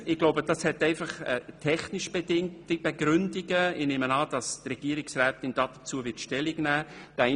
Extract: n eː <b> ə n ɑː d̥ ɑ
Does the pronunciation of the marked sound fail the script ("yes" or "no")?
yes